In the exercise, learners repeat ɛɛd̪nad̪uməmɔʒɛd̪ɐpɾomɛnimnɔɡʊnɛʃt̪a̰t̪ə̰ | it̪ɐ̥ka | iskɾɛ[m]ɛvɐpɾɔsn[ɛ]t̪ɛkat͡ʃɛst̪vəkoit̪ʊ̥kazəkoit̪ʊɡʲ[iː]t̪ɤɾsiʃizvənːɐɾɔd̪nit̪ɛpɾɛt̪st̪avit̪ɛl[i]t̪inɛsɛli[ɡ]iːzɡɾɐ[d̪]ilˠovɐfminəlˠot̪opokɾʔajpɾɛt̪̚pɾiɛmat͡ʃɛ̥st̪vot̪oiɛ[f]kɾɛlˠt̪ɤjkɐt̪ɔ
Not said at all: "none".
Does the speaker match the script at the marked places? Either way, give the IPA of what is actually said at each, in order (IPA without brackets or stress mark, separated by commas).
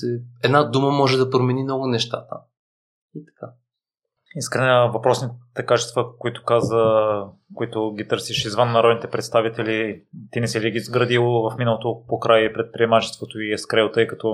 n, i, i, i, ɡ, d̪, s